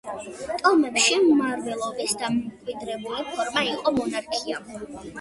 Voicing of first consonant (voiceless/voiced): voiceless